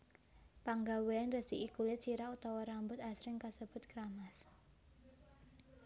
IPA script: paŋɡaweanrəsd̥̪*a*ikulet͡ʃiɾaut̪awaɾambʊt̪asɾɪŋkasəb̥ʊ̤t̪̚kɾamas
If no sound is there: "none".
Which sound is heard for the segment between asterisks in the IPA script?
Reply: i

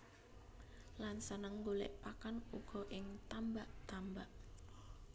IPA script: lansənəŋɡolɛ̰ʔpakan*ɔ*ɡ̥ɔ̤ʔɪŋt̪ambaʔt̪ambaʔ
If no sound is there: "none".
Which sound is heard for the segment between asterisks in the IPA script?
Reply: u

